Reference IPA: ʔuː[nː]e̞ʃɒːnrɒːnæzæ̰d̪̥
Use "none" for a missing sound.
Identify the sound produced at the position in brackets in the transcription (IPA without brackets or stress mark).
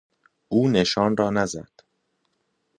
n